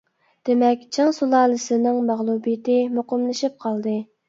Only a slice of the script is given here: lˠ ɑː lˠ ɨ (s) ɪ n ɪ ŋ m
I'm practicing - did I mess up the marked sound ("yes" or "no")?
no